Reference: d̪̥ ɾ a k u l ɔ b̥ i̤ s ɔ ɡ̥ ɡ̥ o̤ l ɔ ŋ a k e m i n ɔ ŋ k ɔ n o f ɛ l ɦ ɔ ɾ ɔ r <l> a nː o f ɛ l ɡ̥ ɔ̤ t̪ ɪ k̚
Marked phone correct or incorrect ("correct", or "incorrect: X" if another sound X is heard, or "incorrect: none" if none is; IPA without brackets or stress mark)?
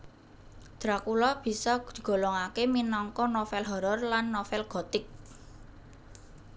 correct